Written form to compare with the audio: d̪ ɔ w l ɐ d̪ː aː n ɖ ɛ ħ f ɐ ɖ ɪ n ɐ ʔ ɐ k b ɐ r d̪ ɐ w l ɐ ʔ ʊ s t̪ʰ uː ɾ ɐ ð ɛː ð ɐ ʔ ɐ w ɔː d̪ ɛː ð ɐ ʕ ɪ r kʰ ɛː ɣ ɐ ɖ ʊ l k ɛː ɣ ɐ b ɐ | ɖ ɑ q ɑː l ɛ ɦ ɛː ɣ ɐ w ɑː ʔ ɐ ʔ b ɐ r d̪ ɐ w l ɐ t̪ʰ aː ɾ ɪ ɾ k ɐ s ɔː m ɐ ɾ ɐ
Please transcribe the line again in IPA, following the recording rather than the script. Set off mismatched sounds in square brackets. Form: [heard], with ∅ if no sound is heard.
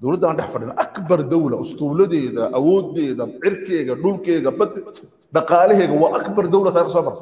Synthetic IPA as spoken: d̪ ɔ w l ɐ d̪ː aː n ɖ ɛ ħ f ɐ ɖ ɪ n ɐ ʔ ɐ k b ɐ r d̪ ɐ w l ɐ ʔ ʊ s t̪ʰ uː [l] ɐ ð ɛː ð ɐ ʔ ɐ w ɔː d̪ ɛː ð ɐ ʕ ɪ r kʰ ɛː ɣ ɐ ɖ ʊ l k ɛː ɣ ɐ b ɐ | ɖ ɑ q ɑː l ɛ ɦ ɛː ɣ ɐ w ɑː ʔ ɐ [k] b ɐ r d̪ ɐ w l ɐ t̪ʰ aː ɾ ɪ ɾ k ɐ s ɔː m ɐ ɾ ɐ